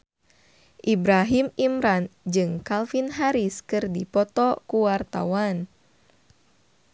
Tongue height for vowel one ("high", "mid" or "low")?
high